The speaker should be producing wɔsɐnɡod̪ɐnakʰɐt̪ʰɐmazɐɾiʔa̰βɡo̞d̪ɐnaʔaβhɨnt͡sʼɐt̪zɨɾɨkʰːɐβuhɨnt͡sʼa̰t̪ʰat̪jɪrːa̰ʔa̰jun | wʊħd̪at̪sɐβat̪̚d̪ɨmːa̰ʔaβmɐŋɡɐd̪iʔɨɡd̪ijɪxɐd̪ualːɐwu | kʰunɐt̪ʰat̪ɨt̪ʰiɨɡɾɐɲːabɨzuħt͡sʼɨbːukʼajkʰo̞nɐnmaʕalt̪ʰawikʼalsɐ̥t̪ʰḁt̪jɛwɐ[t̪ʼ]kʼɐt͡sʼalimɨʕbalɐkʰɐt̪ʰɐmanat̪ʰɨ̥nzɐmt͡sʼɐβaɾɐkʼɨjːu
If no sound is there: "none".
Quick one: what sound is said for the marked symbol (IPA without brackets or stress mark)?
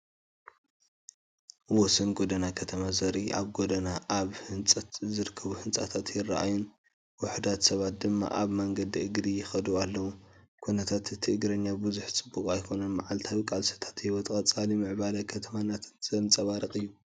t̪ʼ